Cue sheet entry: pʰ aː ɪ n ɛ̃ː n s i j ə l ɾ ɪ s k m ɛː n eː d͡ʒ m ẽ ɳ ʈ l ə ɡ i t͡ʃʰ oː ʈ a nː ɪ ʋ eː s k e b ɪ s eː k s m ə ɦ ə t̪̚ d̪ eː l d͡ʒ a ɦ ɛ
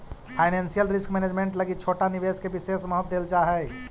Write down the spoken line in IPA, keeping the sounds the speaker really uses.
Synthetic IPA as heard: pʰ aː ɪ n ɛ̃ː n s i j ə l ɾ ɪ s k m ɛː n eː d͡ʒ m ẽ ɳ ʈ l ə ɡ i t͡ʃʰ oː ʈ a n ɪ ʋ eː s k e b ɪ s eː s m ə ɦ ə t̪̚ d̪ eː l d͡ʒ a ɦ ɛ